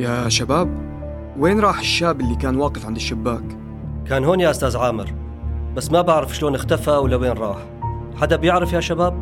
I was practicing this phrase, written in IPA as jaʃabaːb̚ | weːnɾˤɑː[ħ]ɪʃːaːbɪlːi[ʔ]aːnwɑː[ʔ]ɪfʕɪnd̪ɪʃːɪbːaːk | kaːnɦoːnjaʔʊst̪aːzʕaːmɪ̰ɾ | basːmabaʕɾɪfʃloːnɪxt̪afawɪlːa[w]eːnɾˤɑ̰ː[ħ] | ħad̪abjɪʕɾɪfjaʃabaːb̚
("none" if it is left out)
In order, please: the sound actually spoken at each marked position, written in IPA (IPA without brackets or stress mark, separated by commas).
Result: ħ, k, q, w, ħ